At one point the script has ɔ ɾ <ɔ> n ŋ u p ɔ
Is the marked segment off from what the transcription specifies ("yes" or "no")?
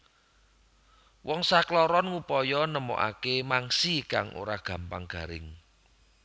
no